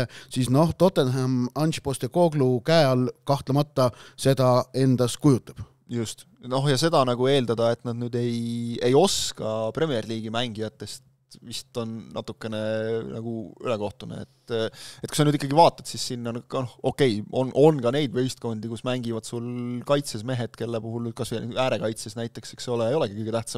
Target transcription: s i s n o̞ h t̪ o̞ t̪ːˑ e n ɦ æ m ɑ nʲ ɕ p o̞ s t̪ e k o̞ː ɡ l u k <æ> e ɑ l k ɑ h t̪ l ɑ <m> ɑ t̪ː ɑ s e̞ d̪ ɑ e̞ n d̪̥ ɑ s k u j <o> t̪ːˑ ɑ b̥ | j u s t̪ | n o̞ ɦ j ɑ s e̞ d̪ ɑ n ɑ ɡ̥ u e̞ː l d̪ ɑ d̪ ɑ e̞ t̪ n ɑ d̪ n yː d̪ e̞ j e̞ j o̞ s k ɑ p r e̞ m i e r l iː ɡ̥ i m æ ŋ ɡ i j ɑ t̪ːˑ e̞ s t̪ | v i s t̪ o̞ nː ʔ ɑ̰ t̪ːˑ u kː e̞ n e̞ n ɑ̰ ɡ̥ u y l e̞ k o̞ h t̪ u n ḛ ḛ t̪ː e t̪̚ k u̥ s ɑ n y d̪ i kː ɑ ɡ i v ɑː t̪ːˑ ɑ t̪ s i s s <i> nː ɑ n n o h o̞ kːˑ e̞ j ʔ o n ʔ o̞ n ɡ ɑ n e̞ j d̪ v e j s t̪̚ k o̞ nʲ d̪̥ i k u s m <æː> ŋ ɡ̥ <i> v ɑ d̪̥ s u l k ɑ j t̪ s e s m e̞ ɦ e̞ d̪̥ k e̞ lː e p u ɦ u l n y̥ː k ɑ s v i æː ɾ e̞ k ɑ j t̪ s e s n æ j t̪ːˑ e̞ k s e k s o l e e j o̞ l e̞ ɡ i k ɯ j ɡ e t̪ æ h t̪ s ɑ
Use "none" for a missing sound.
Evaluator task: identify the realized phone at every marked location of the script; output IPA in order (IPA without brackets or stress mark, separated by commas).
æ, m, u, i, æ, i